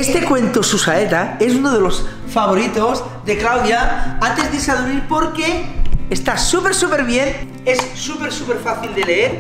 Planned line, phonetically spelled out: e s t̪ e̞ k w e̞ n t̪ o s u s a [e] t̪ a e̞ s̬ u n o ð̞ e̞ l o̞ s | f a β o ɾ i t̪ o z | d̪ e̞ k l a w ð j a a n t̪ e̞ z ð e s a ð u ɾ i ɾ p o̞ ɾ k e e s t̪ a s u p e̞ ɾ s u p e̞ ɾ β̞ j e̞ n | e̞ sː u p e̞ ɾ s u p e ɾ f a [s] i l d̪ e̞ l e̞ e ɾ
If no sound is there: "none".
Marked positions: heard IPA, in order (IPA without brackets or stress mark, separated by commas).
e, θ